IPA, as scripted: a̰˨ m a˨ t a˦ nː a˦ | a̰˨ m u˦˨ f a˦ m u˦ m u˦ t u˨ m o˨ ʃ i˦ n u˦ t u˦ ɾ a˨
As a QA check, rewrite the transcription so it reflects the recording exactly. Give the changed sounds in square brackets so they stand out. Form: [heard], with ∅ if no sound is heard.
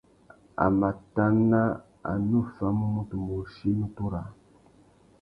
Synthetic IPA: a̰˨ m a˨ t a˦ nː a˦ | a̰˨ [n] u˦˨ f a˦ m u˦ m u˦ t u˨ m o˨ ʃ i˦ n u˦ t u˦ ɾ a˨